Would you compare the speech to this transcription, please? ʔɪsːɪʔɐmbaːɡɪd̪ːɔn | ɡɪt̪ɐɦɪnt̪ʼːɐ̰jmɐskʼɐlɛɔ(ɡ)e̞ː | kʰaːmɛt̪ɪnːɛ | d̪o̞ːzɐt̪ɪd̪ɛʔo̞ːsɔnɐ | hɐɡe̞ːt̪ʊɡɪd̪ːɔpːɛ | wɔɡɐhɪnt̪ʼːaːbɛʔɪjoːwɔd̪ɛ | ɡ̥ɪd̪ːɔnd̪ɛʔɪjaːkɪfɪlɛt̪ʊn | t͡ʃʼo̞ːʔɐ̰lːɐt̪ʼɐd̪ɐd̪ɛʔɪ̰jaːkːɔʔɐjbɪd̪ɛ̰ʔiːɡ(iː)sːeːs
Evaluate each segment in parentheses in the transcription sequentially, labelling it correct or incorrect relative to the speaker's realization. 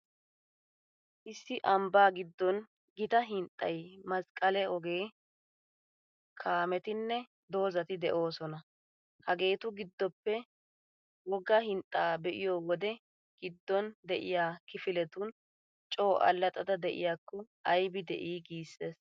correct, correct

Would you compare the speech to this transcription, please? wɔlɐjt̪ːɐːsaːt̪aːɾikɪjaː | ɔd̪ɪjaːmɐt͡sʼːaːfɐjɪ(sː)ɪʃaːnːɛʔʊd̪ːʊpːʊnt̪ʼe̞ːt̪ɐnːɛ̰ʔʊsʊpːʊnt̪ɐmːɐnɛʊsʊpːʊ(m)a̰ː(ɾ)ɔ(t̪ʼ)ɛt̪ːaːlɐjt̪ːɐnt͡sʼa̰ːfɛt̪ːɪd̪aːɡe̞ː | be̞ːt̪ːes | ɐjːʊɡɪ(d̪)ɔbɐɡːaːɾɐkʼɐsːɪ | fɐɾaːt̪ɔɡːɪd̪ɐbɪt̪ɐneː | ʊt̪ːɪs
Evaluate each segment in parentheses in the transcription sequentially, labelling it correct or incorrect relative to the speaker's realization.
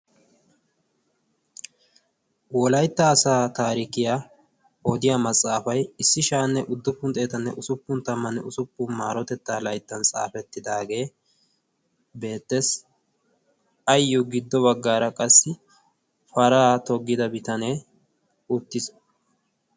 correct, correct, correct, incorrect: t̪, incorrect: d̪ː

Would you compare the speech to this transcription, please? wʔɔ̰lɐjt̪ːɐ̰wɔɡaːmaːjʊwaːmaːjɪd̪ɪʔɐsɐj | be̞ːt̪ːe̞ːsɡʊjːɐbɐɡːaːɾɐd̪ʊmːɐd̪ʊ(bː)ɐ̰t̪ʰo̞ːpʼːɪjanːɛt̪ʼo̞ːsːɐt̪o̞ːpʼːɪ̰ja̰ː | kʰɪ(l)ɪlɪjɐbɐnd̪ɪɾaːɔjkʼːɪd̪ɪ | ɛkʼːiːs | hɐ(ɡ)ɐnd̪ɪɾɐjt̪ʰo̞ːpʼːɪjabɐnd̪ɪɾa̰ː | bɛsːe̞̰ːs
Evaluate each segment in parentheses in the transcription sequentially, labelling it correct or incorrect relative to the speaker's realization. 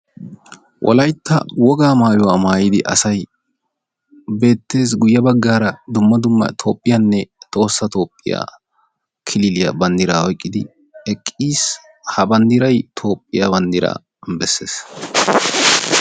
incorrect: mː, correct, incorrect: b

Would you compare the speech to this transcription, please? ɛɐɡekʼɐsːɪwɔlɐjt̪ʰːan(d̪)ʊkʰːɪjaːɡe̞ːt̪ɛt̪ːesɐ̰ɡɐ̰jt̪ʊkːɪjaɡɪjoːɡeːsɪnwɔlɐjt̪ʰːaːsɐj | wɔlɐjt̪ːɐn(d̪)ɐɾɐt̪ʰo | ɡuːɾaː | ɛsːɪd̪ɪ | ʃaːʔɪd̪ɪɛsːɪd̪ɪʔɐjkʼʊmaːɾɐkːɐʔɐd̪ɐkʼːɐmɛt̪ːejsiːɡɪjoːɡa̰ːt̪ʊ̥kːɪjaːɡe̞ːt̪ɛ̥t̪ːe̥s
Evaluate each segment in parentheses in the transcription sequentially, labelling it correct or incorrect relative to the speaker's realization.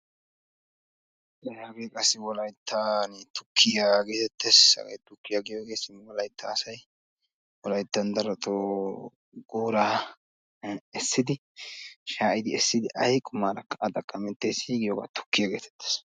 incorrect: t̪, correct

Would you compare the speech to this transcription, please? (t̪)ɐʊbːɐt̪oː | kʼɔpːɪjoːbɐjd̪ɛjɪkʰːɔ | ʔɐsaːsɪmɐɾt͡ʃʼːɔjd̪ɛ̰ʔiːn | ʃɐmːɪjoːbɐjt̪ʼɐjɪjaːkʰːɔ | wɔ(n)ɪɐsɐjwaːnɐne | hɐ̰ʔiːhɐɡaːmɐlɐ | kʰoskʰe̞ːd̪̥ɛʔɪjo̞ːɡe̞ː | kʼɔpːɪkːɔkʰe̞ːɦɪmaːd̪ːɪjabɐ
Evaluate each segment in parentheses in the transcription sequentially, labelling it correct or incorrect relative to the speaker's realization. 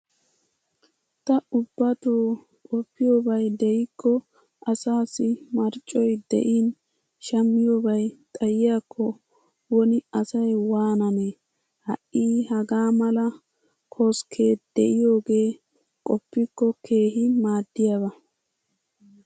correct, correct

